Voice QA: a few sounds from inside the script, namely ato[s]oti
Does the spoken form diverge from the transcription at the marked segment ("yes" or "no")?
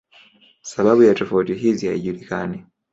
yes